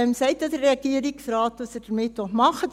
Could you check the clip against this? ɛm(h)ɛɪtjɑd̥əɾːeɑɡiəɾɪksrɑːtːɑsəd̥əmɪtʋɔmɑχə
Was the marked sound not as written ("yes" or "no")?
yes